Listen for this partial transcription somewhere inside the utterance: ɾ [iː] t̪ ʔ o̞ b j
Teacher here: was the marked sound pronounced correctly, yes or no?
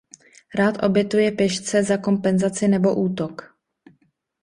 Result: no